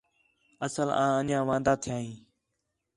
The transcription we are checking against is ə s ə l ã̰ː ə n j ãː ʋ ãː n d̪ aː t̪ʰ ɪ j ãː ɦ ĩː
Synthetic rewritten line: ə s ə l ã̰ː ə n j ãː ʋ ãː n d̪ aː t̪ʰ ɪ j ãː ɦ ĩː